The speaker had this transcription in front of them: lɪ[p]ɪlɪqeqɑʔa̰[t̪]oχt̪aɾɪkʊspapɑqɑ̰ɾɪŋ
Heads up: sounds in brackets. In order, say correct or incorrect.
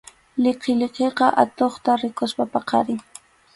incorrect: q, correct

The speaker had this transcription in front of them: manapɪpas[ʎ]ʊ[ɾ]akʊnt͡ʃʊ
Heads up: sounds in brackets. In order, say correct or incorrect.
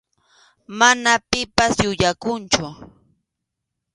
incorrect: j, incorrect: ʎ

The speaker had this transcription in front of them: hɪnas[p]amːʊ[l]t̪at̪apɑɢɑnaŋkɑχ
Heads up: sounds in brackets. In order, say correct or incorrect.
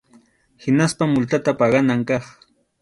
correct, correct

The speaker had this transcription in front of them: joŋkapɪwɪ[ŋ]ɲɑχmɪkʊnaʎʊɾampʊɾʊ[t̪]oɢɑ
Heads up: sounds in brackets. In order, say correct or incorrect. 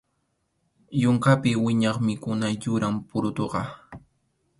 incorrect: none, correct

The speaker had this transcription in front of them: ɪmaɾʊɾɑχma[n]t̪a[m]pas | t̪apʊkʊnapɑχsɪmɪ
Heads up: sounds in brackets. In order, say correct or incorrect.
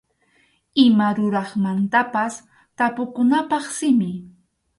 correct, incorrect: none

